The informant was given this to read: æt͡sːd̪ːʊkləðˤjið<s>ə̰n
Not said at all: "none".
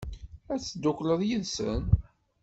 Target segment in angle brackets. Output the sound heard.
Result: s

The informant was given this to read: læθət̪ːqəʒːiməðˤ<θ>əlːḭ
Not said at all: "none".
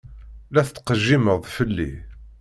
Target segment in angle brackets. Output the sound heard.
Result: f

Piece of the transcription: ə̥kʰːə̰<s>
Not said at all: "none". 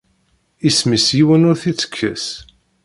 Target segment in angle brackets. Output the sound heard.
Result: s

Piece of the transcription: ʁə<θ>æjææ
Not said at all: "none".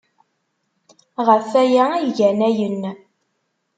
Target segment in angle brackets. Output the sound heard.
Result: f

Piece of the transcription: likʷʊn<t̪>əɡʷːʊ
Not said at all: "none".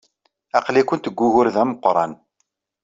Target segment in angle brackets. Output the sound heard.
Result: t̪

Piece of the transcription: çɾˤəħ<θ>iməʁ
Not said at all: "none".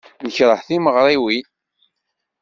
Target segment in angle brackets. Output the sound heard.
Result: θ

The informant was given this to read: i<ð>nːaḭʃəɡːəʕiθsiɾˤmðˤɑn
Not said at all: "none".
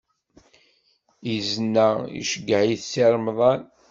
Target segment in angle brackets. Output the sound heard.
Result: z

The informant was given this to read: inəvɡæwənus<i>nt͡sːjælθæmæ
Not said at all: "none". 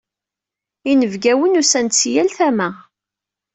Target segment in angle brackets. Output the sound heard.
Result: æ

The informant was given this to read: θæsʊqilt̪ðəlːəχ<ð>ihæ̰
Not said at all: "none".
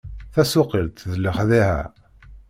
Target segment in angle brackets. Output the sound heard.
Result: ð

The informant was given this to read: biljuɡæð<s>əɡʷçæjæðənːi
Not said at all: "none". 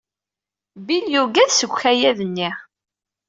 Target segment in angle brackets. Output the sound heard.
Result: s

